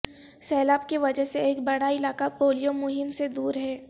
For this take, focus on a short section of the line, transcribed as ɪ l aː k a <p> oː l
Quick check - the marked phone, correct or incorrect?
correct